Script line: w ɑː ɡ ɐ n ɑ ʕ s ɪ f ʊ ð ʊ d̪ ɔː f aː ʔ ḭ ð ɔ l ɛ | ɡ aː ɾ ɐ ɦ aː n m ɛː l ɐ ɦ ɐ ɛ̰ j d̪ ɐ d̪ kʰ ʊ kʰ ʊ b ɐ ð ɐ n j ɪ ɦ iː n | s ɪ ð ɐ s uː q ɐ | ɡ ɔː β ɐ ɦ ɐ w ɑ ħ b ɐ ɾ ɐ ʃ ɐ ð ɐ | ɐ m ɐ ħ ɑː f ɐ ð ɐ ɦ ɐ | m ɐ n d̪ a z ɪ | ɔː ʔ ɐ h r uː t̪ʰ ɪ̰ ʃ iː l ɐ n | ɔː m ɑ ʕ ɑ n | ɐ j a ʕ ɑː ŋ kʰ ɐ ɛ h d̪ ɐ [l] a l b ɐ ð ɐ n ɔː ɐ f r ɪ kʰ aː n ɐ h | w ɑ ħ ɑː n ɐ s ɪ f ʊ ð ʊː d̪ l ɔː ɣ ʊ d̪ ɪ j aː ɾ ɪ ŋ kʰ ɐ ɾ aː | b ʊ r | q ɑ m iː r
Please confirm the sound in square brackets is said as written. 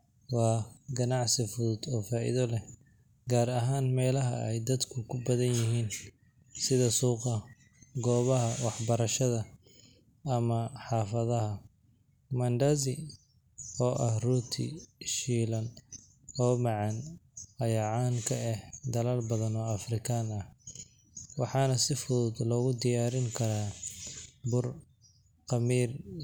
yes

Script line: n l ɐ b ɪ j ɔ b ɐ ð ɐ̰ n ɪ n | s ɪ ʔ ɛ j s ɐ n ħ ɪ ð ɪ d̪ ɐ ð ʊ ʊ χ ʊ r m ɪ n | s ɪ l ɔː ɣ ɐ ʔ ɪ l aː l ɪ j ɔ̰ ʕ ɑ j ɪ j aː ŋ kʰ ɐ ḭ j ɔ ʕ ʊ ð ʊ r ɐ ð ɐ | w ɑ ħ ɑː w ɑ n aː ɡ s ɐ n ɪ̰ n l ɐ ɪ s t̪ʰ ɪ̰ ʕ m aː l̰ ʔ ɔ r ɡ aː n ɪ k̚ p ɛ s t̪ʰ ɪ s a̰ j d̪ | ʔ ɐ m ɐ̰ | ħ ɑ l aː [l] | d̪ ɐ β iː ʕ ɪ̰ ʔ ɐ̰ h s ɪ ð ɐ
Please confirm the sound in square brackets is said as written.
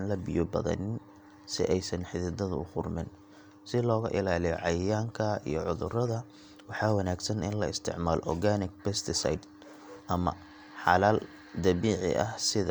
yes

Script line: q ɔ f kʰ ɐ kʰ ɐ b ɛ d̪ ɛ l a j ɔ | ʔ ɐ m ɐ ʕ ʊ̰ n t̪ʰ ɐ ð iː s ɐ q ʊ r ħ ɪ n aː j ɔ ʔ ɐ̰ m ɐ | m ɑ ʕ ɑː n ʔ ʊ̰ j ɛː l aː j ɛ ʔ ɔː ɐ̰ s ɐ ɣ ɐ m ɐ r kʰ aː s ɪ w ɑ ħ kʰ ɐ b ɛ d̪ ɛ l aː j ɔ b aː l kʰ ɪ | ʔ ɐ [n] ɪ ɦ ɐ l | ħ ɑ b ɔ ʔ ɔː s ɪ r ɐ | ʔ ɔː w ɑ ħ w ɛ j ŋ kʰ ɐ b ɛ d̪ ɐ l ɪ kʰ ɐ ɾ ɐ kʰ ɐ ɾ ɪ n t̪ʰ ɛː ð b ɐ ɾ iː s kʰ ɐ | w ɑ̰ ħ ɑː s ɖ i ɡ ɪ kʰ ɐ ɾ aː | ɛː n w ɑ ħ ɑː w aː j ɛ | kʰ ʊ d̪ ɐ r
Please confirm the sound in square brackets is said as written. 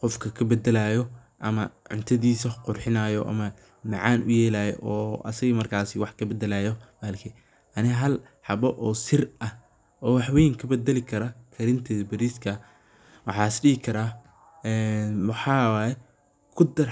yes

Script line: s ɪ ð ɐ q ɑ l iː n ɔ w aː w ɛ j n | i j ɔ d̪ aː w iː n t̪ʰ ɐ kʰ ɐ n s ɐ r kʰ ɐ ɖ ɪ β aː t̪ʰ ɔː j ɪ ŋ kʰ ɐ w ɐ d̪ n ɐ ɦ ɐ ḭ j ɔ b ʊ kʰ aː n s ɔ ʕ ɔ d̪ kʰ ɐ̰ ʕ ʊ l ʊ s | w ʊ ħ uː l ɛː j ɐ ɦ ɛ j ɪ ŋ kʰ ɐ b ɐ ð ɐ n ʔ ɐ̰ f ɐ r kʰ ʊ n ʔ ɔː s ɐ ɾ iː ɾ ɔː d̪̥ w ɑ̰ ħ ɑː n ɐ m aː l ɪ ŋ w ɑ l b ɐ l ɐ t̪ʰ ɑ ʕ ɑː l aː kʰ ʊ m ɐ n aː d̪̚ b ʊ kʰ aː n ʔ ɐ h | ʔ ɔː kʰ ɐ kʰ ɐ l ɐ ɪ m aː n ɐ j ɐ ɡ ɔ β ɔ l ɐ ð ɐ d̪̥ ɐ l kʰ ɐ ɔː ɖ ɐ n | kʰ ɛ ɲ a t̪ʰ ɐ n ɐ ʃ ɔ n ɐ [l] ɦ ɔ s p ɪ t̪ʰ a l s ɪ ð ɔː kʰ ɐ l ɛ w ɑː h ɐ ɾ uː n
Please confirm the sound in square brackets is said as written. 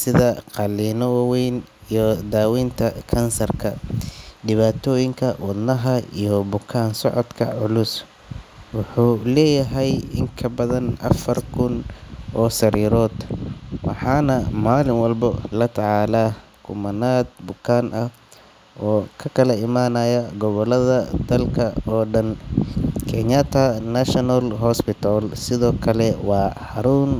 yes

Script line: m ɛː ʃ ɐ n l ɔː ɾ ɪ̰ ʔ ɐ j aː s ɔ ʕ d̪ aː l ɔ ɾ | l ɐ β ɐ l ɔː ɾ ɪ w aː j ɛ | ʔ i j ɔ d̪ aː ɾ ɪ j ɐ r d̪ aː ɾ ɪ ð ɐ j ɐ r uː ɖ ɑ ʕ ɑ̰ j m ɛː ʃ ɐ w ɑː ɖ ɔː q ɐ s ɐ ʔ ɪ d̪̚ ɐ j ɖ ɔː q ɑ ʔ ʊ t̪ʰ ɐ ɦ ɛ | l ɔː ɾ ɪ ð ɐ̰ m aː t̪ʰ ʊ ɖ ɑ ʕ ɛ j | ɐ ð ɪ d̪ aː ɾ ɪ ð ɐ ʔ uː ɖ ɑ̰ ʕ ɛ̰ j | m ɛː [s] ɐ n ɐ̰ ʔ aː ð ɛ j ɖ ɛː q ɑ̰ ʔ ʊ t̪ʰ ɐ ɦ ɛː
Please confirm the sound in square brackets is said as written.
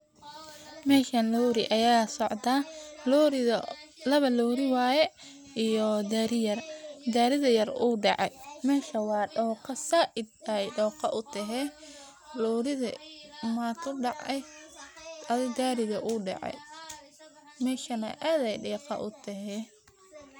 no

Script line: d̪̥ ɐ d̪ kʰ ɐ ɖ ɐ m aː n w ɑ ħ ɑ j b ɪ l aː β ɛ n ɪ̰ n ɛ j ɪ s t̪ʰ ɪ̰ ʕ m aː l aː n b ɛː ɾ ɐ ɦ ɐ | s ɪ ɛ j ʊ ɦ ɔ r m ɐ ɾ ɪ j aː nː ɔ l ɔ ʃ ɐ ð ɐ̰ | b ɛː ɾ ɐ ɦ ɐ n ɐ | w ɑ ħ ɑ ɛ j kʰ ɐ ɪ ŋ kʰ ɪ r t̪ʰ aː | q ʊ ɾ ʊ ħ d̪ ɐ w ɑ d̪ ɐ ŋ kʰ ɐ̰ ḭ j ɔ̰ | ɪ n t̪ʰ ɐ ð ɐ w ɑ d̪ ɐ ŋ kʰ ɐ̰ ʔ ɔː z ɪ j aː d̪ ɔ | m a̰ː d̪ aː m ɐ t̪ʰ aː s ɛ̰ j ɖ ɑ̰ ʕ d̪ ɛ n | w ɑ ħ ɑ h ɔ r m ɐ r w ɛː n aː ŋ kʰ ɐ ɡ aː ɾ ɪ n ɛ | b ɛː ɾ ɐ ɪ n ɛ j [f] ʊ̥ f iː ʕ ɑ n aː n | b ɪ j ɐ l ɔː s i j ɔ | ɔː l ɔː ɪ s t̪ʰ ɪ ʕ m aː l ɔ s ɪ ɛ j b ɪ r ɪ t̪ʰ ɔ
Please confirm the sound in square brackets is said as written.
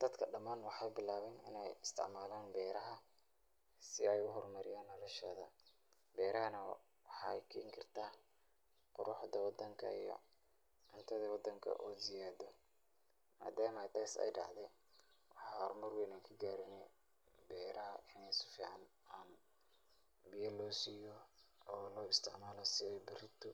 no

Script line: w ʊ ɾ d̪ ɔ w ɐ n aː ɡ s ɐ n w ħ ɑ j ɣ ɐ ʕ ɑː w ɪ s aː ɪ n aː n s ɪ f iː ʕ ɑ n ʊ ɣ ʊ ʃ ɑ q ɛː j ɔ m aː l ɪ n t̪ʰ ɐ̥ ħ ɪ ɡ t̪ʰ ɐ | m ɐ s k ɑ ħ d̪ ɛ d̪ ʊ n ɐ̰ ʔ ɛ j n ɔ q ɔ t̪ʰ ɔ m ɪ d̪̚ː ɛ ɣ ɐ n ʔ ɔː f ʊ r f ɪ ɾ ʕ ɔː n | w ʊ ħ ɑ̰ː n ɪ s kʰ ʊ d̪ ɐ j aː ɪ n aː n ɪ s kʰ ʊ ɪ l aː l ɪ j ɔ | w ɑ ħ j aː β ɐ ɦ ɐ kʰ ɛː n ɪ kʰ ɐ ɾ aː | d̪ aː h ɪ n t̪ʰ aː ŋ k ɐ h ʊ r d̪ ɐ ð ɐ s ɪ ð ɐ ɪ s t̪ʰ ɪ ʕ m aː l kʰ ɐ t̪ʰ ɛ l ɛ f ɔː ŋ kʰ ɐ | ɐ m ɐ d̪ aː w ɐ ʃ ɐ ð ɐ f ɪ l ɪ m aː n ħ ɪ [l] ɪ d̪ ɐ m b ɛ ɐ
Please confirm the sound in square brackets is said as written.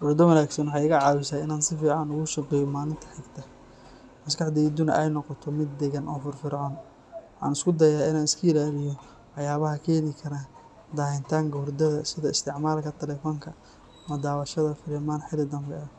yes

